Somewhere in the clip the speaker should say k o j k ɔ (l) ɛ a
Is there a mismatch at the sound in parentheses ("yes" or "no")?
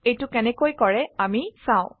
yes